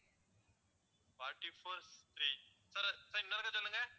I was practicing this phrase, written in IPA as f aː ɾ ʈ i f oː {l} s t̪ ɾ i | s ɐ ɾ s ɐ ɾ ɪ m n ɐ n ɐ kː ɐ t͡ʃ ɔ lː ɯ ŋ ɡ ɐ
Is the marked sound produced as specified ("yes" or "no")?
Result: no